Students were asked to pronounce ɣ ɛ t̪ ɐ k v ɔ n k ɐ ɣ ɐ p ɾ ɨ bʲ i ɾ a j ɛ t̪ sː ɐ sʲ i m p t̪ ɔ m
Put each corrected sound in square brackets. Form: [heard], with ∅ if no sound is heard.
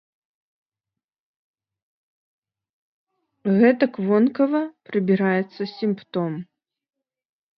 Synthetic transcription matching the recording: ɣ ɛ t̪ ɐ k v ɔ n k ɐ [v] ɐ p ɾ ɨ bʲ i ɾ a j ɛ t̪ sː ɐ sʲ i m p t̪ ɔ m